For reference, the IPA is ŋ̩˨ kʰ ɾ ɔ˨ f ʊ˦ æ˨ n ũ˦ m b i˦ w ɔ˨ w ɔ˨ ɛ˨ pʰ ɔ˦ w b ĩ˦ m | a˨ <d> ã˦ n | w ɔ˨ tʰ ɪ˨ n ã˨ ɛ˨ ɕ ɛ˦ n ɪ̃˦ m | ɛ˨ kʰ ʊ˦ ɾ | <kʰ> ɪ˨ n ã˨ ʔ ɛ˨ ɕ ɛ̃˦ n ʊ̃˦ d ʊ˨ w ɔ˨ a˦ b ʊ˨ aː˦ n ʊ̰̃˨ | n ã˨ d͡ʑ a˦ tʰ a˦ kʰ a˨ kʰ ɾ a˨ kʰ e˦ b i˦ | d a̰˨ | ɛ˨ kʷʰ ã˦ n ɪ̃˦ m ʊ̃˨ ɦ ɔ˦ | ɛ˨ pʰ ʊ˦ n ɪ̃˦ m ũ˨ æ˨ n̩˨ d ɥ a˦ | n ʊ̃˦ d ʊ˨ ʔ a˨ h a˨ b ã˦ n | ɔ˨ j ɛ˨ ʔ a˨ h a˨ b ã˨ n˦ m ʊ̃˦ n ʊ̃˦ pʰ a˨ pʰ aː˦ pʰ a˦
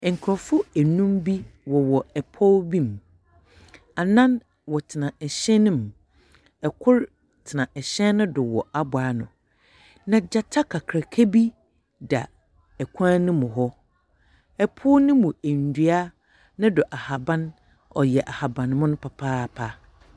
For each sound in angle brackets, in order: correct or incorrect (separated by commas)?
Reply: incorrect, incorrect